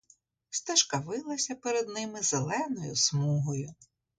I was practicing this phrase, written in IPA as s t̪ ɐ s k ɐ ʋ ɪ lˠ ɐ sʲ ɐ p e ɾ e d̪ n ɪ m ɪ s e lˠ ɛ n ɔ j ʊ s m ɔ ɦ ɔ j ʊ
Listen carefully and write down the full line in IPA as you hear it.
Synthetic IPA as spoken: s t̪ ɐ ʃ k ɐ ʋ ɪ lˠ ɐ sʲ ɐ p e ɾ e d̪ n ɪ m ɪ z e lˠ ɛ n ɔ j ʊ s m u ɦ ɔ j ʊ